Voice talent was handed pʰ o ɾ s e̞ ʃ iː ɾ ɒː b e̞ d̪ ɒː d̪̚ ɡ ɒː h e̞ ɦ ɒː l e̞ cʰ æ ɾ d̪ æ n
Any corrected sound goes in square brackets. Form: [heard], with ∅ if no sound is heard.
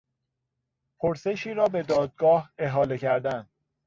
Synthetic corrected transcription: pʰ o ɾ s e̞ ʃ iː ɾ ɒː b e̞ d̪ ɒː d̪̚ ɡ ɒː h e̞ ɦ ɒː l e̞ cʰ æ ɾ d̪ æ n